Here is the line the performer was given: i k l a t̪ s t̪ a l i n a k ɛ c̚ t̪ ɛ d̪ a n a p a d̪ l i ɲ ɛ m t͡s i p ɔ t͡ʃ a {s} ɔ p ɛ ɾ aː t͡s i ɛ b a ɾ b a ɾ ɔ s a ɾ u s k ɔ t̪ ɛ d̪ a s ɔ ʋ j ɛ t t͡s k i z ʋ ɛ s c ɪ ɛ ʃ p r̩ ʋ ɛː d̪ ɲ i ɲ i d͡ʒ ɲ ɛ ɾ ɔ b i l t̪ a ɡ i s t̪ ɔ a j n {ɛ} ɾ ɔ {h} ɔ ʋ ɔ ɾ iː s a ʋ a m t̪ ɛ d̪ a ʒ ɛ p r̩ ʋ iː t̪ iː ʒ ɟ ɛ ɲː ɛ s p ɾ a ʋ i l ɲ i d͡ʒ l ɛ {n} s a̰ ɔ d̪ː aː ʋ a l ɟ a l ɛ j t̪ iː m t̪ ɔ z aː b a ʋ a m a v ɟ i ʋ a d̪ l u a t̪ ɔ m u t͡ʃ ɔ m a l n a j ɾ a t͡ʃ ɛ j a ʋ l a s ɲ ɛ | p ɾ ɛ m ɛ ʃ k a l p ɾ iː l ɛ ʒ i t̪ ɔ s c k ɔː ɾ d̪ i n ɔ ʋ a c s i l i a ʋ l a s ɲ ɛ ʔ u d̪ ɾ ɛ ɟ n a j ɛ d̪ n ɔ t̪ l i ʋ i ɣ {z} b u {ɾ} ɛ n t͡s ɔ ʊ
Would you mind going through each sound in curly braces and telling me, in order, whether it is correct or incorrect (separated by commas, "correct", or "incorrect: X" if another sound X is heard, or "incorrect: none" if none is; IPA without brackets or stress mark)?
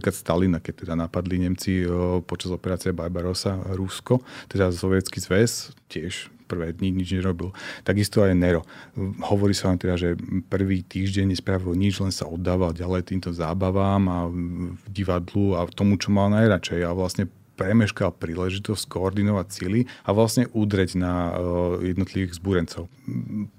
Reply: incorrect: z, correct, correct, correct, correct, correct